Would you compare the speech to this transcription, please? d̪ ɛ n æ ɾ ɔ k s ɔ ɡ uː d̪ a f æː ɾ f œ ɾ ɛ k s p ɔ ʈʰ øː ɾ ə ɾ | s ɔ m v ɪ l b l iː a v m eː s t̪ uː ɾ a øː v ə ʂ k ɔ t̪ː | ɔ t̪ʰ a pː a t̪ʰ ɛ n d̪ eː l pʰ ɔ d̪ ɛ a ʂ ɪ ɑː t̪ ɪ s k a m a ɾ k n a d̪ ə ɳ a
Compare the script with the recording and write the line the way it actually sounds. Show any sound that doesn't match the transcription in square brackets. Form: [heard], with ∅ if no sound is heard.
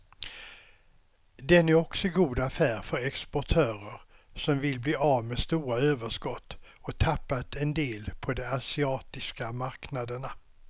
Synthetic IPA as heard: d̪ ɛ n æ ɾ ɔ k s ɔ ɡ uː d̪ a f æː ɾ f œ ɾ ɛ k s p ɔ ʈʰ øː ɾ ə ɾ | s ɔ m v ɪ l b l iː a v m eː s t̪ uː ɾ a øː v ə ʂ k ɔ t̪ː | ɔ t̪ʰ a pː a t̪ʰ ɛ n d̪ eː l pʰ ɔ d̪ ɛ a [s] ɪ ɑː t̪ ɪ s k a m a ɾ k n a d̪ ə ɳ a